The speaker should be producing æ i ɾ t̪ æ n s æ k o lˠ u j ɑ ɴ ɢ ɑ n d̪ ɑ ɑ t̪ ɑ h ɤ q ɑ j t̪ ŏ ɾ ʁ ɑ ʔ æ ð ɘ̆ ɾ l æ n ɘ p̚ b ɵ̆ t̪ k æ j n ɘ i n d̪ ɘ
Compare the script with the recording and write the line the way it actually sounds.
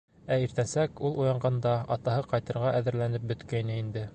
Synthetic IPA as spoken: æ i ɾ t̪ æ n s æ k u lˠ u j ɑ ɴ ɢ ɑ n d̪ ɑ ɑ t̪ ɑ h ɤ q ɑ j t̪ ɤ̆ ɾ ʁ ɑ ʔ æ ð ɘ̆ ɾ l æ n ɘ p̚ b ɵ̆ t̪ k æ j n ɘ i n d̪ ɘ